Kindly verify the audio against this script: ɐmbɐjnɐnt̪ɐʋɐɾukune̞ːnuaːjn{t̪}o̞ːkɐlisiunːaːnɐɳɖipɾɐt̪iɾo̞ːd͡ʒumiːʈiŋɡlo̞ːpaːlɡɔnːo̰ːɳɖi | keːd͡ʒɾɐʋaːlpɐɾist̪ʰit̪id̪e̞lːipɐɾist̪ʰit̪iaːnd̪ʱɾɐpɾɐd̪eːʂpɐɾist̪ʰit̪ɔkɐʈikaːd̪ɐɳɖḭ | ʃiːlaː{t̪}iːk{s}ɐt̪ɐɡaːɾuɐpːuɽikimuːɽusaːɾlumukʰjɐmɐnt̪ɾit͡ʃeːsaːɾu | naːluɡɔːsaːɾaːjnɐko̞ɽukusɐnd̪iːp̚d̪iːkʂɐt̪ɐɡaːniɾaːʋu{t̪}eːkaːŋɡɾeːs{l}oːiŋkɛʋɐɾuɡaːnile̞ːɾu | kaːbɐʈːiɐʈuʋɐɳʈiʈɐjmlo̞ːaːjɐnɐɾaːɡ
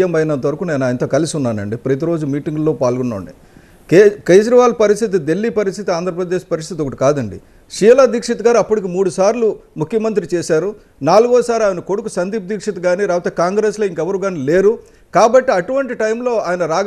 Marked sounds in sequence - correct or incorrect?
correct, incorrect: d̪, incorrect: ʂ, correct, correct

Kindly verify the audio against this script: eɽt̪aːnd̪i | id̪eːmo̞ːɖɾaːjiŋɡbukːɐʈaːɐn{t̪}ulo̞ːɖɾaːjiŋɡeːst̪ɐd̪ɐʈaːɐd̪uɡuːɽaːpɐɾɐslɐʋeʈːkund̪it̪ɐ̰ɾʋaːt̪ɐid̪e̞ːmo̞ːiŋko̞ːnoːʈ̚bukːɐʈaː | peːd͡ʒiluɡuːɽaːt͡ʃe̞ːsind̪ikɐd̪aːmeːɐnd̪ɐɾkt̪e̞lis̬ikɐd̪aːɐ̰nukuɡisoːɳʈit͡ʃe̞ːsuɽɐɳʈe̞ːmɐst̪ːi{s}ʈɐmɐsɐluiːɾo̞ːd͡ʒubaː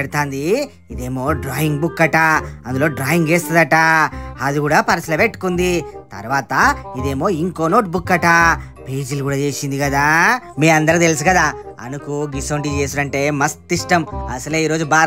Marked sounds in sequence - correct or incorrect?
incorrect: d̪, incorrect: ʂ

